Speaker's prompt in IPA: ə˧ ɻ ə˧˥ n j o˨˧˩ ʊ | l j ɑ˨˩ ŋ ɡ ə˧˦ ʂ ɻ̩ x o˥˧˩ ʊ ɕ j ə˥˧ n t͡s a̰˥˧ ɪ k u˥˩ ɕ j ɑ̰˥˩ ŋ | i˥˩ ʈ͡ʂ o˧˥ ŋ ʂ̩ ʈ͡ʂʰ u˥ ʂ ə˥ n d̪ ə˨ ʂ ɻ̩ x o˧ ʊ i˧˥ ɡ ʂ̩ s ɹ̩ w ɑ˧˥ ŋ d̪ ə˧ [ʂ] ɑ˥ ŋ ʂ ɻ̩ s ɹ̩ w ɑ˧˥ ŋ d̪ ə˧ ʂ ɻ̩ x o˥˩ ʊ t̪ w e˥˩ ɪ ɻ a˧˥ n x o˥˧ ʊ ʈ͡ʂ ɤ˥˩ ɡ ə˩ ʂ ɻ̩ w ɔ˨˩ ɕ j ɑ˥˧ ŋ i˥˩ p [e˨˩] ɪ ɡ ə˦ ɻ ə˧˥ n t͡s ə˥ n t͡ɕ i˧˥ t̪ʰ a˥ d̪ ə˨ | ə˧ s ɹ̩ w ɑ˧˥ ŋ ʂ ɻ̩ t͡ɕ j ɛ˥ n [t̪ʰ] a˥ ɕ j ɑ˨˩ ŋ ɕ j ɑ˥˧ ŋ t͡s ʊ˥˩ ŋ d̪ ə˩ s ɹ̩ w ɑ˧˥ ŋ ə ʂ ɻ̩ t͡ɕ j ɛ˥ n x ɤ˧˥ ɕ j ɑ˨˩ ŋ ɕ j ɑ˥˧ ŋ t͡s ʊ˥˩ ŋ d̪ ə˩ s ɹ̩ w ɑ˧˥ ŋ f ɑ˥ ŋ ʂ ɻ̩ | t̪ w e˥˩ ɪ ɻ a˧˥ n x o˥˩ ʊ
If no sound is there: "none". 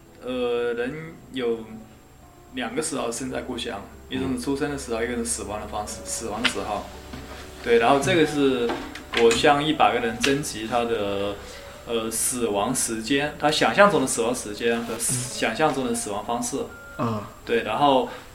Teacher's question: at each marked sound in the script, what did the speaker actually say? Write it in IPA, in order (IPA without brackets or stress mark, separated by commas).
f, a˨˩, t̪ʰ